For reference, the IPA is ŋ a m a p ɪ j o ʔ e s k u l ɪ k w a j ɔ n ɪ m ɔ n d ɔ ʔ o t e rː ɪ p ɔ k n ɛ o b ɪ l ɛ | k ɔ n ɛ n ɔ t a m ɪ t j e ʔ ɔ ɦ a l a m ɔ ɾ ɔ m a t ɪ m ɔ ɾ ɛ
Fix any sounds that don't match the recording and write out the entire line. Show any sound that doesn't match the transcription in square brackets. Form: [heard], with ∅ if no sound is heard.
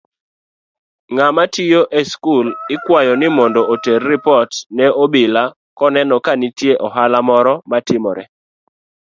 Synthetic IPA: ŋ a m a [t] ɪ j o ʔ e s k u l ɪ k w a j ɔ n ɪ m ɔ n d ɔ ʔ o t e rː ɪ p ɔ [t] n ɛ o b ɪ l [a] | k ɔ n ɛ n ɔ [k] a [n] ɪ t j e ʔ ɔ ɦ a l a m ɔ ɾ ɔ m a t ɪ m ɔ ɾ ɛ